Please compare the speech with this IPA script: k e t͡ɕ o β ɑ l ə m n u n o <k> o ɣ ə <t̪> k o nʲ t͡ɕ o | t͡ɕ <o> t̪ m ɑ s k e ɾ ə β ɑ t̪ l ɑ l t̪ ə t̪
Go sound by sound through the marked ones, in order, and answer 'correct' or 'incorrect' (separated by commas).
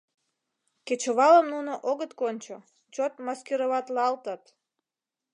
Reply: incorrect, correct, correct